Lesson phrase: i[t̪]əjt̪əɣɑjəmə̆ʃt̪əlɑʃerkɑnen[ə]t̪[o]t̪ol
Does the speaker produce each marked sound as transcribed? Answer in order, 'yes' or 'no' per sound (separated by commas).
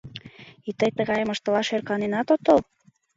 yes, no, yes